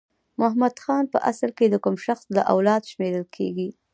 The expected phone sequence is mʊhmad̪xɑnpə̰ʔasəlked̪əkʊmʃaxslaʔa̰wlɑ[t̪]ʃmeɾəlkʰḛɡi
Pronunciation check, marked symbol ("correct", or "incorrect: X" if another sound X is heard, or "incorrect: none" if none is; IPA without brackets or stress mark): incorrect: d̪